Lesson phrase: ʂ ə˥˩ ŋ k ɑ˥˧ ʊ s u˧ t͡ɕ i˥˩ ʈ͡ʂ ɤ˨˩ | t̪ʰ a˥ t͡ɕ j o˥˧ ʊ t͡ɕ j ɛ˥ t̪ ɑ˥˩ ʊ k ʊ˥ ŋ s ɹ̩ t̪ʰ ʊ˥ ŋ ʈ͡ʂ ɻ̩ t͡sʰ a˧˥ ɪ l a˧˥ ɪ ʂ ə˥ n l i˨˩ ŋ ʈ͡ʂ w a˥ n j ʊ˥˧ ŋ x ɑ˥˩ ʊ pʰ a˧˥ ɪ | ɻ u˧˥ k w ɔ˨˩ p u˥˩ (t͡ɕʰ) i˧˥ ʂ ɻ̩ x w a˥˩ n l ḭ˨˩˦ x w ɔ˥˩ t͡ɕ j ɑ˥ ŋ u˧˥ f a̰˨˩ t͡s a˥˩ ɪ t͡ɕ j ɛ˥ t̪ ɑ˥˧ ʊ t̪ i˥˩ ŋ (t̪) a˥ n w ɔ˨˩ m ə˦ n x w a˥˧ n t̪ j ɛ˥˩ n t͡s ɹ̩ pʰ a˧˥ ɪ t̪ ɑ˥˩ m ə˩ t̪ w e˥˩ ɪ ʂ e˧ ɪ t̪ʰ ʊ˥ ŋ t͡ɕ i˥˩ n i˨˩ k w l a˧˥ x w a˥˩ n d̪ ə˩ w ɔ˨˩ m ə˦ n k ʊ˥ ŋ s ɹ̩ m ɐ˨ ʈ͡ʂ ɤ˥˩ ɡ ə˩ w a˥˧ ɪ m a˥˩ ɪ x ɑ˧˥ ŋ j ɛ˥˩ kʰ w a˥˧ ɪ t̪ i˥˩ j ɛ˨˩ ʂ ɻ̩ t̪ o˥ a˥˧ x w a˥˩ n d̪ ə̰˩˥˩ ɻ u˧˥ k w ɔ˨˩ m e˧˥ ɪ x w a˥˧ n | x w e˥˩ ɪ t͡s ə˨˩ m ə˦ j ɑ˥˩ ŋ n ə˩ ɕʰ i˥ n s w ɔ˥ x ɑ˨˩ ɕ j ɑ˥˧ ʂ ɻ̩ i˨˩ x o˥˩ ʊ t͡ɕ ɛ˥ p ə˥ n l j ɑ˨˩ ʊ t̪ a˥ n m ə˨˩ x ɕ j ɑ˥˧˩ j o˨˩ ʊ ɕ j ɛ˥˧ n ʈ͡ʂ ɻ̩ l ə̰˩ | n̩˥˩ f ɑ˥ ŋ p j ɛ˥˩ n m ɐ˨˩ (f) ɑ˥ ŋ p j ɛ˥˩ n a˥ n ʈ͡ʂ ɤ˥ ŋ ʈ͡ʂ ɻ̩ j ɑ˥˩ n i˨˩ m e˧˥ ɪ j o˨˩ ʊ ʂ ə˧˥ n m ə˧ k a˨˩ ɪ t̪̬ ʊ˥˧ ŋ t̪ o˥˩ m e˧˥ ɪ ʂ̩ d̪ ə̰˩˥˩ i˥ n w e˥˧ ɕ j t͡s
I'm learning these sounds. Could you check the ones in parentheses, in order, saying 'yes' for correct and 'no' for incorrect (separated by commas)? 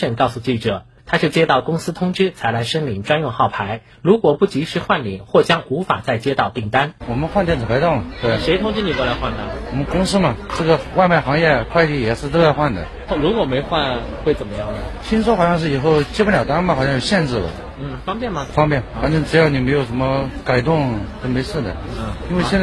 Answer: no, yes, yes